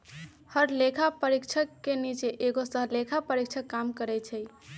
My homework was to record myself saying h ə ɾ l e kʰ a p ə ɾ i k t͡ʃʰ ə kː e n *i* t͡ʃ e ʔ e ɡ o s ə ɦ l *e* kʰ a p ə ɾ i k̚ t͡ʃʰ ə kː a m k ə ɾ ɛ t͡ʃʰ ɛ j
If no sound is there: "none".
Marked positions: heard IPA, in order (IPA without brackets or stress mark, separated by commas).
i, e